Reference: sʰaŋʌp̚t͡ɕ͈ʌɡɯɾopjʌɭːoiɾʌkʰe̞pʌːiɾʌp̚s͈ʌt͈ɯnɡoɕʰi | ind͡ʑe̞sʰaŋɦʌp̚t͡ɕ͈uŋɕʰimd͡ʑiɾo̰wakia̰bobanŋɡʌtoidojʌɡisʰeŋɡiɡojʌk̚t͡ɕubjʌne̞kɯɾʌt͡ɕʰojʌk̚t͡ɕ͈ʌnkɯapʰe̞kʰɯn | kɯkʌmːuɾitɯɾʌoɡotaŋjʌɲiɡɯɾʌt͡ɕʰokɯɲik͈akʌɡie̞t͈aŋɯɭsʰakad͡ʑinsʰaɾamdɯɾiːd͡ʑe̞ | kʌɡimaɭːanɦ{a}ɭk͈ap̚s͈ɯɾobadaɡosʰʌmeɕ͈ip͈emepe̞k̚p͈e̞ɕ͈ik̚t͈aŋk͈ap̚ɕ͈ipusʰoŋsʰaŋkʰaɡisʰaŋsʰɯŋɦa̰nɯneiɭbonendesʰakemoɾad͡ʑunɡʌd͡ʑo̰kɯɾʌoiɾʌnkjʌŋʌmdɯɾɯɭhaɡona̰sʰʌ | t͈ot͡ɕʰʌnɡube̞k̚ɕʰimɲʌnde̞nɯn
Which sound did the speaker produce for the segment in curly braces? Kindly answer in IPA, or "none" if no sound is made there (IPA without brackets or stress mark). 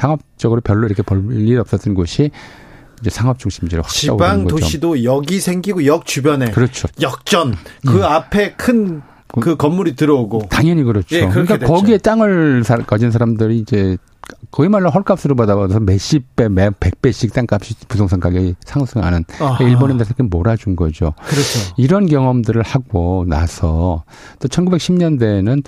ʌ